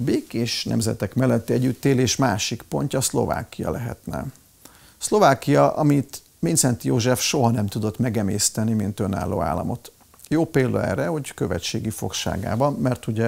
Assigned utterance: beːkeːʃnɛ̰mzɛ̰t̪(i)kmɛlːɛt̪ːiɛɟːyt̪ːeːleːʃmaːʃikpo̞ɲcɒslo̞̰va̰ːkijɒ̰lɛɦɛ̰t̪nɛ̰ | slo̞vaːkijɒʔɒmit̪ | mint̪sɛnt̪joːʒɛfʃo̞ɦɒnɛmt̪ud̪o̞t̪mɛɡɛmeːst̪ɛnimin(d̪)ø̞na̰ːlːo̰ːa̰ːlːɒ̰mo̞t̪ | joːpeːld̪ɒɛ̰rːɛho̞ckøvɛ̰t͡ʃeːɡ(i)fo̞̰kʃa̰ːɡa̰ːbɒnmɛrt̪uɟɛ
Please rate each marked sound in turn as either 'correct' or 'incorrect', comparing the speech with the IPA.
incorrect: ɛ, incorrect: t̪, correct

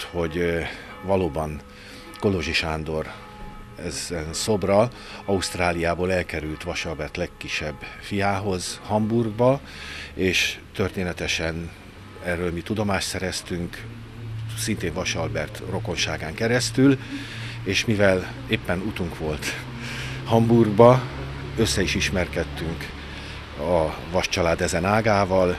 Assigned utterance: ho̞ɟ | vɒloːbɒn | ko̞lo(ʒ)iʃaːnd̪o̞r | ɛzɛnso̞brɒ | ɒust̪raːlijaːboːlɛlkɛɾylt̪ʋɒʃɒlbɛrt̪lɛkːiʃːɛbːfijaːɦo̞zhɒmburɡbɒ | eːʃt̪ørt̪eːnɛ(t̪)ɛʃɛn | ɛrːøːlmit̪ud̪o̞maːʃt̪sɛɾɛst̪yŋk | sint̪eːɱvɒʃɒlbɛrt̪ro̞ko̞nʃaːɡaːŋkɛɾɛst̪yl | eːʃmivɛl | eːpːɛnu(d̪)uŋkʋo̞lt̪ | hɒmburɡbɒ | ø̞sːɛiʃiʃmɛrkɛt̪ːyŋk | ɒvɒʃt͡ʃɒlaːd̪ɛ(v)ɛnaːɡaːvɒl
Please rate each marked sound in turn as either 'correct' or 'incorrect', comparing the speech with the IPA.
correct, correct, incorrect: t̪, incorrect: z

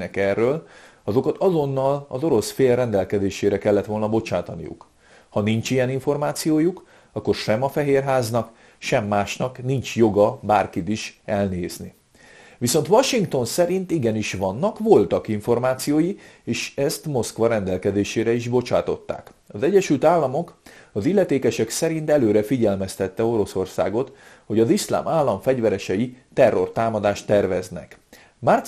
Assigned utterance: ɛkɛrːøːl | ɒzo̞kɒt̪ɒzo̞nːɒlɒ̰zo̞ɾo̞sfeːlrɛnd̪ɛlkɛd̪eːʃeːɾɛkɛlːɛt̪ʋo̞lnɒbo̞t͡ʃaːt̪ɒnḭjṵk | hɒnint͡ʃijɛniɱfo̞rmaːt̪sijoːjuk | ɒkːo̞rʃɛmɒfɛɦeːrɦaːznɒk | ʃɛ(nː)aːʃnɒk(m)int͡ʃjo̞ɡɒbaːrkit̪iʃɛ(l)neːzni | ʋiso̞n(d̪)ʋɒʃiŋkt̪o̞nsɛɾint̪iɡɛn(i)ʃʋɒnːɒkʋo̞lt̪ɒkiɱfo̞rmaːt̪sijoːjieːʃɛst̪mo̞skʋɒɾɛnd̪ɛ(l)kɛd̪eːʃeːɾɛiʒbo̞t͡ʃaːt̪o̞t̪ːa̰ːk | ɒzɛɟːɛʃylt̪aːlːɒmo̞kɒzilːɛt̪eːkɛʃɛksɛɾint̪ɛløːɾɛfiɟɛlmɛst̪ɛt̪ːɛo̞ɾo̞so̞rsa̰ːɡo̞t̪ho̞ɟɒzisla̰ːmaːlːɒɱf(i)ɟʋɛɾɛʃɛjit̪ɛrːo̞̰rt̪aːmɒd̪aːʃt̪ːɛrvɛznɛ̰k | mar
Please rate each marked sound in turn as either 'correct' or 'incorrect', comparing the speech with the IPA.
incorrect: mː, incorrect: n, correct, incorrect: t̪, correct, correct, incorrect: ɛ

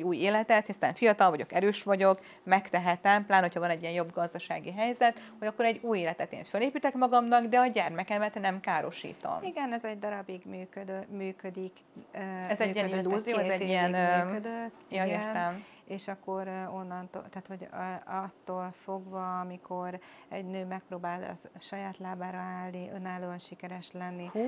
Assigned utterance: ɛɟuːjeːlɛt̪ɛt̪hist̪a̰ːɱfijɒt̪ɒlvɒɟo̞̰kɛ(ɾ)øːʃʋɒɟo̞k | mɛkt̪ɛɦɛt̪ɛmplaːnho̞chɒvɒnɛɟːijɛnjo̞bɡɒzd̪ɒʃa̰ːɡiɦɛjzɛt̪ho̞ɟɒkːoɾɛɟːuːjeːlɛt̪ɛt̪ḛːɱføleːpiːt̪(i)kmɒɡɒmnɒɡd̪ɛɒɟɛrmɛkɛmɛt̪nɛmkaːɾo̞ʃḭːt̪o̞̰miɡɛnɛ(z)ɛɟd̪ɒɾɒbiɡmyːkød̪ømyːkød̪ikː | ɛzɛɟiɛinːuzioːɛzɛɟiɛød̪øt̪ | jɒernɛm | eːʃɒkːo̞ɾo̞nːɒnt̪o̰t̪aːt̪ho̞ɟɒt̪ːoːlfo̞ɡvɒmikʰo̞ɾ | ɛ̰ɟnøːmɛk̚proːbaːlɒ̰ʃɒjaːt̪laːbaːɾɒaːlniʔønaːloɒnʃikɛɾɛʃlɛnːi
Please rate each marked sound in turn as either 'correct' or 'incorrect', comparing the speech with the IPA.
correct, incorrect: ɛ, correct

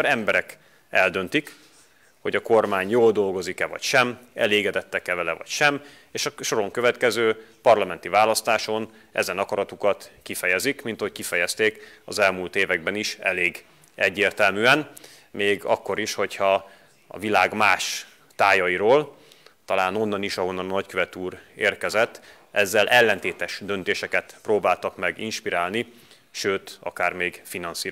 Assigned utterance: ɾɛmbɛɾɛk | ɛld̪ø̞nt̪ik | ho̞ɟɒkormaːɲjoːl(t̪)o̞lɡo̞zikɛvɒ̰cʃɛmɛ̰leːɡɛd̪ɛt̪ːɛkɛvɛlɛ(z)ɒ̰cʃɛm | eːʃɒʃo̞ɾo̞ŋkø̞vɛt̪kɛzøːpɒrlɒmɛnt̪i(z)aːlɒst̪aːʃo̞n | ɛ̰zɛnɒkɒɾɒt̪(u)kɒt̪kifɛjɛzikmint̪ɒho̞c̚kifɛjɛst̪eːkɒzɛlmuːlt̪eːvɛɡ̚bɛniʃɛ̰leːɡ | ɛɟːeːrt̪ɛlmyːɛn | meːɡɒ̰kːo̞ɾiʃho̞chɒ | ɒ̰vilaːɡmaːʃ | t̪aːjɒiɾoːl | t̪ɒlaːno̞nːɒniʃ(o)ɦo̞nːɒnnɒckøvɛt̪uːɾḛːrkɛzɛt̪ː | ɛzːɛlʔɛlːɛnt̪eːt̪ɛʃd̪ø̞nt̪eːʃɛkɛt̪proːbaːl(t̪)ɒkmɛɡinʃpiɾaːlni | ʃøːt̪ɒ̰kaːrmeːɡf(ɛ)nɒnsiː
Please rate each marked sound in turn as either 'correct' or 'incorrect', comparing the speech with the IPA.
incorrect: d̪, incorrect: v, incorrect: v, correct, incorrect: ɒ, correct, incorrect: i

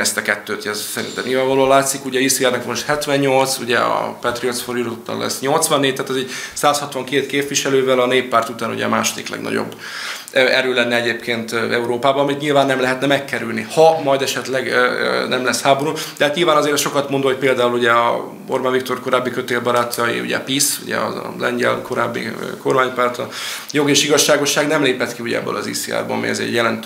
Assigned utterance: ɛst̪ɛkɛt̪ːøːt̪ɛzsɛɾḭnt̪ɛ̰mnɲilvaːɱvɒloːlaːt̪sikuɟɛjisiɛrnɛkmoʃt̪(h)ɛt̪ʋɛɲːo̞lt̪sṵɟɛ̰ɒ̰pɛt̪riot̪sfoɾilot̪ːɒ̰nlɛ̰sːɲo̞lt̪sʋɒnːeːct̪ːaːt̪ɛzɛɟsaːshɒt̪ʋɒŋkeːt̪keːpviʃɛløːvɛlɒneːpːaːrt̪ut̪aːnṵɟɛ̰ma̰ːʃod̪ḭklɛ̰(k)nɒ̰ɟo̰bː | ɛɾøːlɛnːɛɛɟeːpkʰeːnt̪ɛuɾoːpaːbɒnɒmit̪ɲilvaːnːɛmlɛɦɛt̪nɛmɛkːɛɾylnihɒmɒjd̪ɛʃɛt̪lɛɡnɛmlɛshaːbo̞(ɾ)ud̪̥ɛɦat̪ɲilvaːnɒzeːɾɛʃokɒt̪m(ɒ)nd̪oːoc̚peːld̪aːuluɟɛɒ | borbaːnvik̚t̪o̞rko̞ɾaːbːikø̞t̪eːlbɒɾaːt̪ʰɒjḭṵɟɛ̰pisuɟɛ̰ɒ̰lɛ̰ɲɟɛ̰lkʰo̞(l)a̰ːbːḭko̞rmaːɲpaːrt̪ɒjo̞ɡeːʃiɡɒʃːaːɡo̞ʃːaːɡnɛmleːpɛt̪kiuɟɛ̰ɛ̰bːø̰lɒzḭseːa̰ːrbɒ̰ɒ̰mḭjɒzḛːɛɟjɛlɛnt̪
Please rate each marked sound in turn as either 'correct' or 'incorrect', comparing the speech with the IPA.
correct, incorrect: ɡ, correct, incorrect: o, incorrect: ɾ

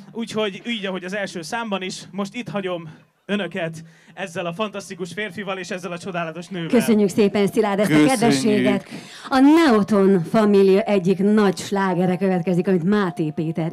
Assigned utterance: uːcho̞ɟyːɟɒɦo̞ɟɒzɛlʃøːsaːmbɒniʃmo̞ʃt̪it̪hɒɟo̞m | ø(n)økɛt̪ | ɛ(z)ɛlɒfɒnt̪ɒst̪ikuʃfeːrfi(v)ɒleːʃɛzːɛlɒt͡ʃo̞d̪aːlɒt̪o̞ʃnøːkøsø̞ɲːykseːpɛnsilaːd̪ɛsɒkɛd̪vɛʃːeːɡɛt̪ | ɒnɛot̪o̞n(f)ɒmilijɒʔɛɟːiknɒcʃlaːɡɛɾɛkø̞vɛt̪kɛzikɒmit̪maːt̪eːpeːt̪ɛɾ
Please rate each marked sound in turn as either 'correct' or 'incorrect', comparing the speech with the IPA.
correct, incorrect: zː, correct, correct

